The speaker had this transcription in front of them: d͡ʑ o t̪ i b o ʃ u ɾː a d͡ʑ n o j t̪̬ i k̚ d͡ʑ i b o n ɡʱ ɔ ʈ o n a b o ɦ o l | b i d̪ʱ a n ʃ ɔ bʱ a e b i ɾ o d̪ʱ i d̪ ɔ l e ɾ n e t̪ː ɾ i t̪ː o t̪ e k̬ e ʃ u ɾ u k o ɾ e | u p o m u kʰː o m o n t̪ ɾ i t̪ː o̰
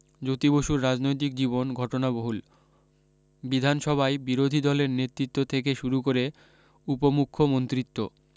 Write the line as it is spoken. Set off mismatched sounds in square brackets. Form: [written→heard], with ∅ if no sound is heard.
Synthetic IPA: d͡ʑ o t̪ i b o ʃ u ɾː a d͡ʑ n o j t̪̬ i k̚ d͡ʑ i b o n ɡʱ ɔ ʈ o n a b o ɦ [o→u] l | b i d̪ʱ a n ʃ ɔ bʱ a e b i ɾ o d̪ʱ i d̪ ɔ l e ɾ n e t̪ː ɾ i t̪ː o [t̪→t̪ʰ] e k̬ e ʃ u ɾ u k o ɾ e | u p o m u kʰː o m o n t̪ ɾ i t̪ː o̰